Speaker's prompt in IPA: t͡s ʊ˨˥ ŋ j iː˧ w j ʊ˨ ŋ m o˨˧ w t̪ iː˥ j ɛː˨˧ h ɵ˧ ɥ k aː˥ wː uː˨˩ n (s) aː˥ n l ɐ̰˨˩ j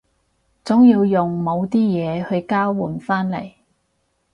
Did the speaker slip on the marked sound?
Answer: yes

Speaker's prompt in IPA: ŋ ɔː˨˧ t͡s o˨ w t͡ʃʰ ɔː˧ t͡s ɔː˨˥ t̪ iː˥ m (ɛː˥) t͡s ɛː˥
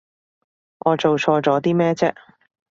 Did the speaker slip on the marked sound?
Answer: no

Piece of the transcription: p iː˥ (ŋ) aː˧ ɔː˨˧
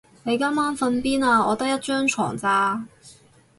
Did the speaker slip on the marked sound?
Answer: yes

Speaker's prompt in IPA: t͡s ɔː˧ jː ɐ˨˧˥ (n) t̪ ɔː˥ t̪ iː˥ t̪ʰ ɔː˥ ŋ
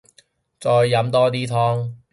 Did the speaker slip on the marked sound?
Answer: yes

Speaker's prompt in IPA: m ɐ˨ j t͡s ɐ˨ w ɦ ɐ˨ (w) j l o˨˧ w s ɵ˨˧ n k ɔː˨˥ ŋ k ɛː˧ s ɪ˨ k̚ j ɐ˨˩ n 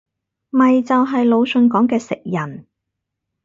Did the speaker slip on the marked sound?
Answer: yes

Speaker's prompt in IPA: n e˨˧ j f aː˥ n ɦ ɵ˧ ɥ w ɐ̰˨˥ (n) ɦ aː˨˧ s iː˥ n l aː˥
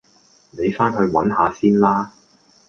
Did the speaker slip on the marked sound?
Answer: no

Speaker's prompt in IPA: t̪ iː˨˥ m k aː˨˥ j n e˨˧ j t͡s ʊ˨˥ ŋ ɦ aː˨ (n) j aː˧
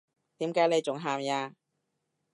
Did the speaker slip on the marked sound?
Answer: yes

